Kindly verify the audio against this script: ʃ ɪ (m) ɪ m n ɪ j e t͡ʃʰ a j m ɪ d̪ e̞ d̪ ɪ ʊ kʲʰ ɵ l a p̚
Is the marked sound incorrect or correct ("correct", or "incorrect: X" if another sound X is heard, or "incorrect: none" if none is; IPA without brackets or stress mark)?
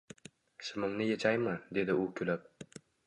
correct